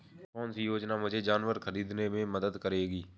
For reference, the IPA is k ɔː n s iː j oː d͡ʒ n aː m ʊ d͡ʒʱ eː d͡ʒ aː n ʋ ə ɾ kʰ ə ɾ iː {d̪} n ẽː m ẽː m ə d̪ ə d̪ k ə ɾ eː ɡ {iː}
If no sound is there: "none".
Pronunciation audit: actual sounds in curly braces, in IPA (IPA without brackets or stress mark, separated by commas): d̪, iː